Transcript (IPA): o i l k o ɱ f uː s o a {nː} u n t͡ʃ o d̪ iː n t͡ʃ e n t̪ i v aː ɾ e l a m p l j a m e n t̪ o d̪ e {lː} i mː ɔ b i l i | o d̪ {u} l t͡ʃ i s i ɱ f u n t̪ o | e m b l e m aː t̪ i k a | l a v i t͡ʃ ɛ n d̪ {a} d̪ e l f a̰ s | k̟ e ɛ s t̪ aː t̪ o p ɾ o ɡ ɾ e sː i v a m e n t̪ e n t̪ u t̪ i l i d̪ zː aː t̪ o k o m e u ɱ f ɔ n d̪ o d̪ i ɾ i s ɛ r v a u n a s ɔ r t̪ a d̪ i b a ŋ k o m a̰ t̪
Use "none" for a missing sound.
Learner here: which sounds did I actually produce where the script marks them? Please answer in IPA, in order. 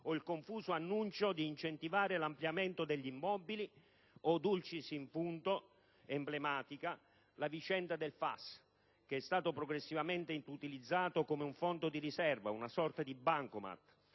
nː, ʎː, u, a

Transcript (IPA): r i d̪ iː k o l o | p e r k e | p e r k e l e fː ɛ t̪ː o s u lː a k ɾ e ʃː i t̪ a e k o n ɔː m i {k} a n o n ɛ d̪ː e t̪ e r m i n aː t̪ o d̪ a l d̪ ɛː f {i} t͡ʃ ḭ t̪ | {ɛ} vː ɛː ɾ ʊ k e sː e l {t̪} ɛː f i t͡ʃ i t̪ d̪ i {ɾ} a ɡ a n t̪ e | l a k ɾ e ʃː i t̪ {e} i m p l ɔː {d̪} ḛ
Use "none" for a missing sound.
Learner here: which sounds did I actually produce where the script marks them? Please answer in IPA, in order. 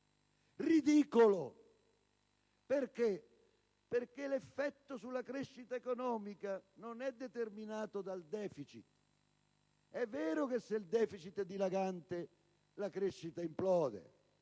k, i, ɛ, d̪, l, a, d̪

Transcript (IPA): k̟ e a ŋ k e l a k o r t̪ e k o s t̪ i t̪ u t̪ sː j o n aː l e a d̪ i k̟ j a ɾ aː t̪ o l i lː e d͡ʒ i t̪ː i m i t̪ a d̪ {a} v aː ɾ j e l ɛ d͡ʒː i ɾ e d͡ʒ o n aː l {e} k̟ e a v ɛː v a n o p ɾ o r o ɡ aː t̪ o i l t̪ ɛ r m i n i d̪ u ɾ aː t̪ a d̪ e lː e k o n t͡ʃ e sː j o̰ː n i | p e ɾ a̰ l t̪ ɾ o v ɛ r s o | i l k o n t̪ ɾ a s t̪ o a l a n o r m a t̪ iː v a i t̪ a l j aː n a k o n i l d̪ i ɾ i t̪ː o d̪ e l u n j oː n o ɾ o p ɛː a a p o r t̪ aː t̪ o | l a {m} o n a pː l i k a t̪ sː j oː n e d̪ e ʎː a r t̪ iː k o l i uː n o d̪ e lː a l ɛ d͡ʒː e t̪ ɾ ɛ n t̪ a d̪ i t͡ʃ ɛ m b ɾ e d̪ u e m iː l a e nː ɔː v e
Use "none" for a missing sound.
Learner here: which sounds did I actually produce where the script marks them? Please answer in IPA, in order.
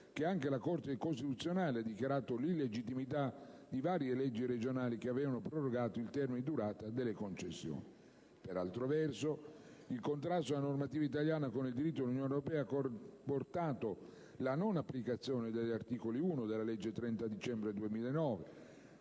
i, i, n

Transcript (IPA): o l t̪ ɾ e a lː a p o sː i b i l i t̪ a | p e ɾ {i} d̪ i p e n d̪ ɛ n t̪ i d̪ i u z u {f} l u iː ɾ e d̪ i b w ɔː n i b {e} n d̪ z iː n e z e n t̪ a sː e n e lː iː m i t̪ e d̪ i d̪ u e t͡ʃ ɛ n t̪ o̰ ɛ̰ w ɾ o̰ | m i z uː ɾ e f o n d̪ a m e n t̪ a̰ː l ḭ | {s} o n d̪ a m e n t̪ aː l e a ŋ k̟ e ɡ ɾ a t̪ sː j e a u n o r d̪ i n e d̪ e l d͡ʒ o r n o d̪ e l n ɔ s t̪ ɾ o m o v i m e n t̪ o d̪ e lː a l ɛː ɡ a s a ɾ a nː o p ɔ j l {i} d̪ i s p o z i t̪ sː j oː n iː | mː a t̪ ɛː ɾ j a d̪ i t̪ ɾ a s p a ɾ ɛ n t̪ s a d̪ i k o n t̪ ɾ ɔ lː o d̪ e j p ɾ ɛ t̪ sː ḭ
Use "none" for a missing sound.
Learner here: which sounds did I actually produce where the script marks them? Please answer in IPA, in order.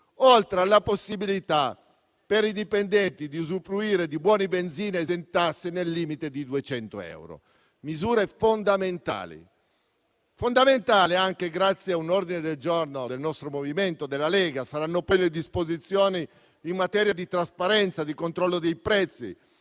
i, f, e, f, e

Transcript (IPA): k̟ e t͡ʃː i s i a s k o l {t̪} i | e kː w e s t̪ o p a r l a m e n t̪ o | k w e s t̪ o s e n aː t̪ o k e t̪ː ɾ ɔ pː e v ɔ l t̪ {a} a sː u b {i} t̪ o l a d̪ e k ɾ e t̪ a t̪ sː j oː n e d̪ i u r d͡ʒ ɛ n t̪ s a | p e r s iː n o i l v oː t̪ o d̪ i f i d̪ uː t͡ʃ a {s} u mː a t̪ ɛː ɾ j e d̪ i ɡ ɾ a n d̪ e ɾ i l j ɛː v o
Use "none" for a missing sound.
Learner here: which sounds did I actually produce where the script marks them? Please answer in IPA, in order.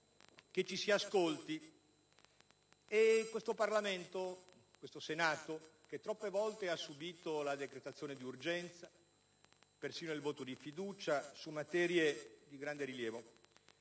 t̪, e, iː, s

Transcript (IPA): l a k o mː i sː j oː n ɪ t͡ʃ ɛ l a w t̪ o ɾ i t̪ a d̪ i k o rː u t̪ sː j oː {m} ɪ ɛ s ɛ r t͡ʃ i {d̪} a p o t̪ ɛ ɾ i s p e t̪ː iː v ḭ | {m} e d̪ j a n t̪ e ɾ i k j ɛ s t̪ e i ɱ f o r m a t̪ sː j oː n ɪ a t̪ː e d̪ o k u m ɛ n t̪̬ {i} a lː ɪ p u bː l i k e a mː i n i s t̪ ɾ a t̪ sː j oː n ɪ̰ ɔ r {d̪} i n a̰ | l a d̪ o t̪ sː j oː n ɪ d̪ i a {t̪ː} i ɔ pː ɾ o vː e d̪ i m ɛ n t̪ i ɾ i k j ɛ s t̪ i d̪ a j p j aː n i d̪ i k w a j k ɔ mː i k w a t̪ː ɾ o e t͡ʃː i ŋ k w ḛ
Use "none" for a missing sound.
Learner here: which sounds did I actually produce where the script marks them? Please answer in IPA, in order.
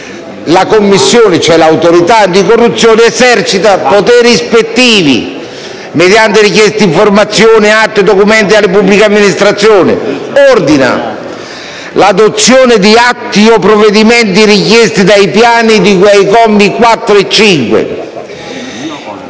n, t̪, m, i, d̪, t̪ː

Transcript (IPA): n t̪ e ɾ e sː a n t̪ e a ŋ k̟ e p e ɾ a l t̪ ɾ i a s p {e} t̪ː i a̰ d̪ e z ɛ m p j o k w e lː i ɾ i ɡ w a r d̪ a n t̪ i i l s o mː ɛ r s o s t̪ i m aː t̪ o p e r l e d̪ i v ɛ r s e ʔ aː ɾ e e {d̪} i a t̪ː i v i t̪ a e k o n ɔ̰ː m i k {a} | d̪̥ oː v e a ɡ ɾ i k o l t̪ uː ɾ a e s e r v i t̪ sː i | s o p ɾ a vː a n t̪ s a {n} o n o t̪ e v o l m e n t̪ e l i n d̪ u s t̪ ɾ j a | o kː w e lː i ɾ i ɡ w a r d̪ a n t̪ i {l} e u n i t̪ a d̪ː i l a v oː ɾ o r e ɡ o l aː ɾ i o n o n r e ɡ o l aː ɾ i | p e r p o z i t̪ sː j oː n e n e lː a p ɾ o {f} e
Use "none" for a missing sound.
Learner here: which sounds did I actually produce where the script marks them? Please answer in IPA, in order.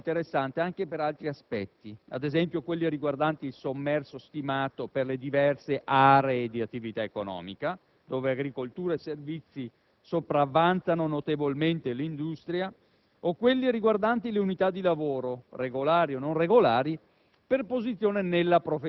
ɛ, d̪, a, n, l, f

